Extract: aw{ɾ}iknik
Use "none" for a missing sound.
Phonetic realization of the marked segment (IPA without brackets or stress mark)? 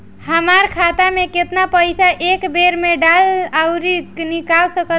ɾ